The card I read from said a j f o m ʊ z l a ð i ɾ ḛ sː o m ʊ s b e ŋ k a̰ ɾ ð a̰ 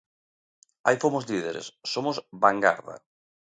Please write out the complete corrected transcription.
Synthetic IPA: a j f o m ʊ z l i ð e ɾ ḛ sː o m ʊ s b a ŋ ɡ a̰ ɾ ð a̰